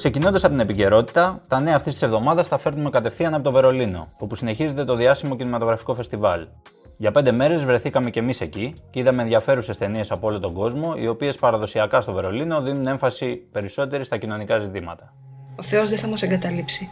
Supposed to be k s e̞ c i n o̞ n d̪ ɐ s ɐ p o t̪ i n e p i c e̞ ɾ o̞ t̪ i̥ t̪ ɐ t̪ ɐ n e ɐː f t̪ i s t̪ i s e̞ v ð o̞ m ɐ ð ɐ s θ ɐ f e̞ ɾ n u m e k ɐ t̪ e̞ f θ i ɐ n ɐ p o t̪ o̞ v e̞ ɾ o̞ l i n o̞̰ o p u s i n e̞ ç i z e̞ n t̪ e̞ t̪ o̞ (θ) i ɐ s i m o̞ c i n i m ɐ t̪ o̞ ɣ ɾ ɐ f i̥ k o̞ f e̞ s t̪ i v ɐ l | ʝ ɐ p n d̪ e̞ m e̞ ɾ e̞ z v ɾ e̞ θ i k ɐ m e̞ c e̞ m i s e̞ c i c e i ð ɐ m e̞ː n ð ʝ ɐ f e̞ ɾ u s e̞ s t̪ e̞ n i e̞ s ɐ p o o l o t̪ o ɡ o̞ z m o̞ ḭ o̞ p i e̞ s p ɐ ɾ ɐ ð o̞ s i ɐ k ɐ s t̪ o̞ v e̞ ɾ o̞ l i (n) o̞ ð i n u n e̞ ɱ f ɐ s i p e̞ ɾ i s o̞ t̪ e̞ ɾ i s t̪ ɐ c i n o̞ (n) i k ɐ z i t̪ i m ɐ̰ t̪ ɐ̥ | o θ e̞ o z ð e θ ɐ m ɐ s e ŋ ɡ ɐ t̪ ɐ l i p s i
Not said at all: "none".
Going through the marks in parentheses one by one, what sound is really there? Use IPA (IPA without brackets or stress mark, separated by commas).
ð, n, n